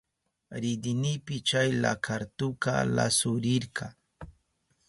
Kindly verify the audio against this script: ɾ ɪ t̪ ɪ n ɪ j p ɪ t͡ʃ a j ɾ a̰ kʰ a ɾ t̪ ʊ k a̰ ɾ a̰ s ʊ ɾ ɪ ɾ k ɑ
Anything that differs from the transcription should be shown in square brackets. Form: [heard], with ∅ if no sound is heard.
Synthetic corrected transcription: ɾ ɪ [d̪] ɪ n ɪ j p ɪ t͡ʃ a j [l] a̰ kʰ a ɾ t̪ ʊ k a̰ [l] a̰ s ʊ ɾ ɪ ɾ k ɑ

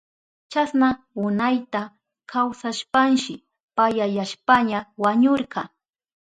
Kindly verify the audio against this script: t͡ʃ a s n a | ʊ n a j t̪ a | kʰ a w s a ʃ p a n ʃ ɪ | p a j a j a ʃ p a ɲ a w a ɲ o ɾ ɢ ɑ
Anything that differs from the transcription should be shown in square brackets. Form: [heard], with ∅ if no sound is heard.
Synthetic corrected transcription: t͡ʃ a s n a | ʊ n a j t̪ a | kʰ a w s a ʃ p a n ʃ ɪ | p a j a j a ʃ p a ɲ a w a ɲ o ɾ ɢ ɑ

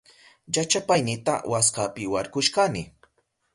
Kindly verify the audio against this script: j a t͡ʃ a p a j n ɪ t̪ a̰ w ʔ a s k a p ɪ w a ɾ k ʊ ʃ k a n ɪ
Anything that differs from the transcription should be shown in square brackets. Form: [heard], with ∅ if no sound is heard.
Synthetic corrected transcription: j a t͡ʃ a p a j n ɪ t̪ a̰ w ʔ a s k a p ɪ w a ɾ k ʊ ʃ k a n ɪ

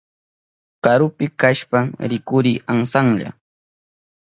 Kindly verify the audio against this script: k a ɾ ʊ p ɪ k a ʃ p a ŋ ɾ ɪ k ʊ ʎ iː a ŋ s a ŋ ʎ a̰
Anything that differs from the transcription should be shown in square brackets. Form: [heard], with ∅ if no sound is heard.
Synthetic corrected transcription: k a ɾ ʊ p ɪ k a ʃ p a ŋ ɾ ɪ k ʊ [ɾ] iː a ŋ s a ŋ ʎ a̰

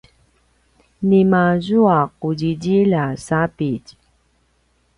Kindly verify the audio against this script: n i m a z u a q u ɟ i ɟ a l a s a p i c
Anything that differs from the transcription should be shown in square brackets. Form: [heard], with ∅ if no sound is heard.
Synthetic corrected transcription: n i m a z u a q u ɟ i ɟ [i] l a s a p i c

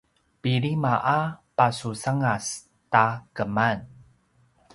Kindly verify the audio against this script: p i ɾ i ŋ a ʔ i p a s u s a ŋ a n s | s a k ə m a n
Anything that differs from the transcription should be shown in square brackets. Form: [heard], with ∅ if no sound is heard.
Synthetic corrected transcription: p i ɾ i [m] a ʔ [a] p a s u s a ŋ a [∅] s | [t] a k ə m a n

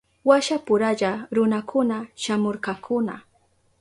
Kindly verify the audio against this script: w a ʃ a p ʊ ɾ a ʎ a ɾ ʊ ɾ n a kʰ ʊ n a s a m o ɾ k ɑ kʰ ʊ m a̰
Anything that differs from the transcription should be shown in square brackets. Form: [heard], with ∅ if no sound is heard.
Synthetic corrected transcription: w a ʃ a p ʊ ɾ a ʎ a ɾ ʊ [∅] n a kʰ ʊ n a [ʃ] a m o ɾ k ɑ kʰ ʊ [n] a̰

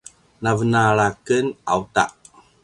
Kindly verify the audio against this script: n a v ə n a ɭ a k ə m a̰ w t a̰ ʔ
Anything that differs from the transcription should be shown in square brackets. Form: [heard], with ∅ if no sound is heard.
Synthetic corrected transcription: n a v ə n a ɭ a k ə [n] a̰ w t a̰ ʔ

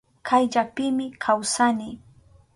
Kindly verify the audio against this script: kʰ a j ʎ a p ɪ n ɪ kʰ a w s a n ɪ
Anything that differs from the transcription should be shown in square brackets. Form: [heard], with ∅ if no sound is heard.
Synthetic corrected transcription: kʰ a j ʎ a p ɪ [m] ɪ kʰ a w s a n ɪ

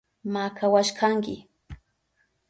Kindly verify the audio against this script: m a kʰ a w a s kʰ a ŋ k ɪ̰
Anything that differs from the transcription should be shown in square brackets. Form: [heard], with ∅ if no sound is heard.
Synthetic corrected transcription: m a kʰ a w a [ʃ] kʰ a ŋ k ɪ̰

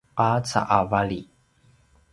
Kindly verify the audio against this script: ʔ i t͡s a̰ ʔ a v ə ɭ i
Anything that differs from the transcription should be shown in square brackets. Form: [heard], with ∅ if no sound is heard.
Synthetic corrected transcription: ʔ [a] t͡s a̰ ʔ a v [a] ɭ i

